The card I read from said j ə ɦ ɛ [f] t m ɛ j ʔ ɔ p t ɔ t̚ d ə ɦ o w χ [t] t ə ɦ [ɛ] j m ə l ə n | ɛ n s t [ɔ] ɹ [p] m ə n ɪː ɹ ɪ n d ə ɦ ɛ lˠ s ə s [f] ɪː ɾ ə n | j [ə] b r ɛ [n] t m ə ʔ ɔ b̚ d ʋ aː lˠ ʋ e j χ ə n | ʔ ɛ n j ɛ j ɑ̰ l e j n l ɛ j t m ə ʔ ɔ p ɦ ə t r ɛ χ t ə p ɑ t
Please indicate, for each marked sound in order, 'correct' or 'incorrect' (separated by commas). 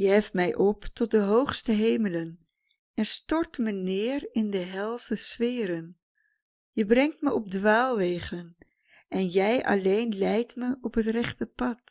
correct, incorrect, incorrect, correct, incorrect, correct, correct, incorrect